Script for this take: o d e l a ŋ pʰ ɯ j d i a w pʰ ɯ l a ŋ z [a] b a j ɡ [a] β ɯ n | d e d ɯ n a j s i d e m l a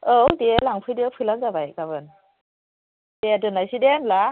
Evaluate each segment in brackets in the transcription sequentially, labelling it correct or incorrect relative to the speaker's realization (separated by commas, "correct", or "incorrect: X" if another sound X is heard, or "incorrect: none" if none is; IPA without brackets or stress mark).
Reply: correct, correct